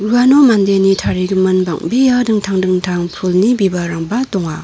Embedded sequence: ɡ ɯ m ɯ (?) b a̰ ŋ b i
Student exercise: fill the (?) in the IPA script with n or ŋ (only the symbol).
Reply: n